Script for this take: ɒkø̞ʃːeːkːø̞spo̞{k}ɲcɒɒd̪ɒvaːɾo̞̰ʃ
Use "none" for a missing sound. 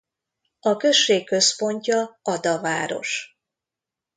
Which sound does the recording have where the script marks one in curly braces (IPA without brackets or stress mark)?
none